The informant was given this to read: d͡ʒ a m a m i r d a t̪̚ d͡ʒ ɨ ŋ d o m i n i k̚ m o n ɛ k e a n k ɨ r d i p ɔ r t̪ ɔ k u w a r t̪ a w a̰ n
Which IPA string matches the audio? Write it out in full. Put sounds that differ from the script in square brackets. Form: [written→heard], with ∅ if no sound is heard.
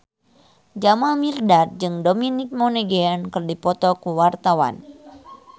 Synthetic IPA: d͡ʒ a m a m i r d a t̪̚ d͡ʒ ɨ ŋ d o m i n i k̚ m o n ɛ [k→ɡ] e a n k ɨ r d i p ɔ [r→∅] t̪ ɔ k u w a r t̪ a w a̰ n